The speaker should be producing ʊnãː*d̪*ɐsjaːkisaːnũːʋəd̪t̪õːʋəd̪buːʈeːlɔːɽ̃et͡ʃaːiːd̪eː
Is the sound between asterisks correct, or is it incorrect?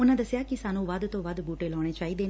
correct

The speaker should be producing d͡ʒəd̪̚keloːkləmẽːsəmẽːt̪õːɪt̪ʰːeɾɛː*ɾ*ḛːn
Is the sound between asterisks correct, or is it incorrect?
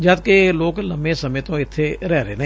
correct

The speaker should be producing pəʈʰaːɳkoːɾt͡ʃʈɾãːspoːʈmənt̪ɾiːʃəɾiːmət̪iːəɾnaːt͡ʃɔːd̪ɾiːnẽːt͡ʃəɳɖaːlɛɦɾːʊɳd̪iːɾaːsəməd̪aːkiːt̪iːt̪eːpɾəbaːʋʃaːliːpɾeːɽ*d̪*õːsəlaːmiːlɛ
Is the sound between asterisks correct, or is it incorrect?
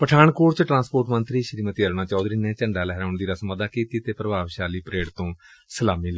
incorrect: t̪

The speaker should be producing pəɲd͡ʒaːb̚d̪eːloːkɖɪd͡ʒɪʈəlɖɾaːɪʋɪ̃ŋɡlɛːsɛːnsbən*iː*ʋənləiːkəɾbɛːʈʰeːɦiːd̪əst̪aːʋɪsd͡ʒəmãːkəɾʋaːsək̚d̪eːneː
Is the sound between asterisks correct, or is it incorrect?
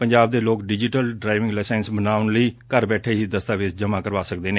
incorrect: aː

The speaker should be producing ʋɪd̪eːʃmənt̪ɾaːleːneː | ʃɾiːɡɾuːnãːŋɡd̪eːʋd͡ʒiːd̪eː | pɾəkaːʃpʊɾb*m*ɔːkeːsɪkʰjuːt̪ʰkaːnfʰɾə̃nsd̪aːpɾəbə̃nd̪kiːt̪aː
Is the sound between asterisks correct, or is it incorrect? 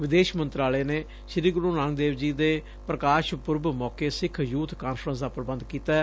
correct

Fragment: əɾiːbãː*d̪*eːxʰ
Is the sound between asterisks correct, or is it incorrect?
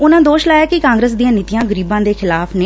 correct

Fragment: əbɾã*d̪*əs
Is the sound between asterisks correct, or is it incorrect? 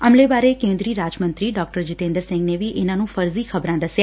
correct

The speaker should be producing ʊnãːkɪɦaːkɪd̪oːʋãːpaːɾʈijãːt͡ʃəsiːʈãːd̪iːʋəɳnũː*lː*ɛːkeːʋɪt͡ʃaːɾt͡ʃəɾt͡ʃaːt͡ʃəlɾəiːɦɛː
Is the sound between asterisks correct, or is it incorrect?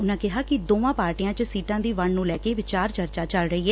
incorrect: l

